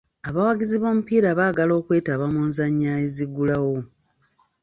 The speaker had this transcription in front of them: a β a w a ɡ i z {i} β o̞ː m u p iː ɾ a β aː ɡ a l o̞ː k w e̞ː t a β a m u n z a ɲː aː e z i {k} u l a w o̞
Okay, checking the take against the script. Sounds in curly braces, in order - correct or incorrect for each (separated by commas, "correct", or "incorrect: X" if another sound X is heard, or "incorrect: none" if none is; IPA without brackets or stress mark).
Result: correct, incorrect: ɡ